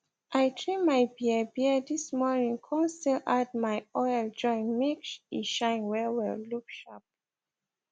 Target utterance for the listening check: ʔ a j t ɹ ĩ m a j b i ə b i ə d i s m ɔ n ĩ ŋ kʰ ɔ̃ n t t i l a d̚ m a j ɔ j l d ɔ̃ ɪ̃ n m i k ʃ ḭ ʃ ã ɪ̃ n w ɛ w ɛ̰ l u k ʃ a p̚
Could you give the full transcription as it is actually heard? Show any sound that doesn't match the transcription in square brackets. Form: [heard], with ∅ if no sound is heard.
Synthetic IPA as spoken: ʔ a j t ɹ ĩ m a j b i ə b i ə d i s m ɔ n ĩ ŋ kʰ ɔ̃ n [s] t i l a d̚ m a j ɔ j l [d͡ʒ] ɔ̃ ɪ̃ n m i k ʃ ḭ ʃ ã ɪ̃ n w ɛ w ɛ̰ l u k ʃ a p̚